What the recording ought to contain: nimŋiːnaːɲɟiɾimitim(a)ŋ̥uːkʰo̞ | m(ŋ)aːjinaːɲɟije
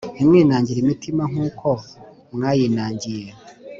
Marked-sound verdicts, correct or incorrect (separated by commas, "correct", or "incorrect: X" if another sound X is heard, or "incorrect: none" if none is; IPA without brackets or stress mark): correct, correct